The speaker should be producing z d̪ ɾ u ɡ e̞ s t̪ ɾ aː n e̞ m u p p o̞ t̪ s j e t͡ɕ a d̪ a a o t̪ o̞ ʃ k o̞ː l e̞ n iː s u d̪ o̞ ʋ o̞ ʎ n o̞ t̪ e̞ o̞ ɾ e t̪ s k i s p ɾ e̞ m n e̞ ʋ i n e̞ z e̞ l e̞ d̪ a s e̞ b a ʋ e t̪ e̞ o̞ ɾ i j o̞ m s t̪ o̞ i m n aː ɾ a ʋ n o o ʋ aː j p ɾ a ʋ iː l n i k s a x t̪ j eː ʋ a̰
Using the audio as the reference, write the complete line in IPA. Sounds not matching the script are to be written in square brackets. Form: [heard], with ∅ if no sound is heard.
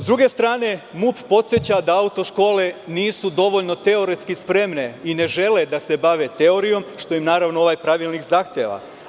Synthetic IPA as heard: z d̪ ɾ u ɡ e̞ s t̪ ɾ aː n e̞ m u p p o̞ t̪ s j e t͡ɕ a d̪ a a [u] t̪ o̞ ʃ k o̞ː l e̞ n iː s u d̪ o̞ ʋ o̞ ʎ n o̞ t̪ e̞ o̞ ɾ e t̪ s k i s p ɾ e̞ m n e̞ [∅] i n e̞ [ʒ] e̞ l e̞ d̪ a s e̞ b a ʋ e t̪ e̞ o̞ ɾ i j o̞ m [ʃ] t̪ o̞ i m n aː ɾ a ʋ n o o ʋ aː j p ɾ a ʋ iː l n i k [z] a x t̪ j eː ʋ a̰